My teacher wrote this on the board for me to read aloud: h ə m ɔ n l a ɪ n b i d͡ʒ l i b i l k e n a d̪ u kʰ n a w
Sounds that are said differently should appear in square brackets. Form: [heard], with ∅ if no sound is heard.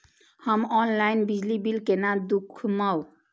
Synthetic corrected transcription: h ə m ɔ n l a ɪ n b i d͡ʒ l i b i l k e n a d̪ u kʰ [m] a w